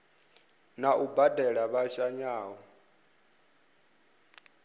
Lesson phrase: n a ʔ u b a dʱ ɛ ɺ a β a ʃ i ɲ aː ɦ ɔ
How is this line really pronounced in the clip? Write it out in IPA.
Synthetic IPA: n a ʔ u b a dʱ ɛ ɺ a β a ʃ a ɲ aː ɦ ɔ